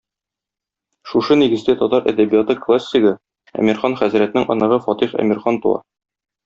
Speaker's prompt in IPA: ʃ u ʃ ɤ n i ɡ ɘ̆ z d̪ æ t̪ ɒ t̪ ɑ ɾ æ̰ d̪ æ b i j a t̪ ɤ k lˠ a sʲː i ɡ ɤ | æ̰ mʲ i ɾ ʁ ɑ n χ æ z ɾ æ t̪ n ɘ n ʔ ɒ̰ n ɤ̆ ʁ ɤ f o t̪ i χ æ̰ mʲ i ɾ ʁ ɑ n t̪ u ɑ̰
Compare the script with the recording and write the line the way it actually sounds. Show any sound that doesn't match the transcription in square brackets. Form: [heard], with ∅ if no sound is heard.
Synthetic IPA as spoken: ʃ u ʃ ɤ n i ɡ ɘ̆ z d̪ æ t̪ ɒ t̪ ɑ ɾ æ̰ d̪ æ b i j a t̪ ɤ k lˠ a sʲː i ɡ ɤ | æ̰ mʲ i ɾ [χ] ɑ n χ æ z ɾ æ t̪ n ɘ [ŋ] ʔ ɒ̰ n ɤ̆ ʁ ɤ f [ɒ] t̪ i χ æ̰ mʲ i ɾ [χ] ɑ n t̪ u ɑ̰